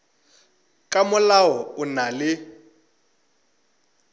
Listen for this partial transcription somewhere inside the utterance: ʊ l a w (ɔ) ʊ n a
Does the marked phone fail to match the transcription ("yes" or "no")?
no